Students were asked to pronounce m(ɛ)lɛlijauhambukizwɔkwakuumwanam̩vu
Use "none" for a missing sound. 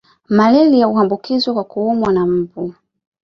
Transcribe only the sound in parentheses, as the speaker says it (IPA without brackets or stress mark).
a